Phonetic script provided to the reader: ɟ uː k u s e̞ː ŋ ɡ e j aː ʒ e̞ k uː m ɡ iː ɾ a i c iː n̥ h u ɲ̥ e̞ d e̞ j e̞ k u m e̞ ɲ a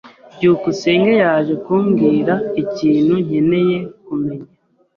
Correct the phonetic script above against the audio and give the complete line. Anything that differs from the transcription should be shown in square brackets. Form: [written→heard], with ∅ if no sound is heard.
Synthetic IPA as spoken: ɟ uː k u s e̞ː ŋ ɡ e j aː ʒ e̞ k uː m ɡ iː ɾ a i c iː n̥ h u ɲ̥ e̞ [d→n] e̞ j e̞ k u m e̞ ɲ a